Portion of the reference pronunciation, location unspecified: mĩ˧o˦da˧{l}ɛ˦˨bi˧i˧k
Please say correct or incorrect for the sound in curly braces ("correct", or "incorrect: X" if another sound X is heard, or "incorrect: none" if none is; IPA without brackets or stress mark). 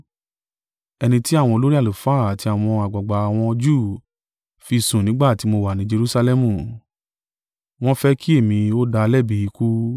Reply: correct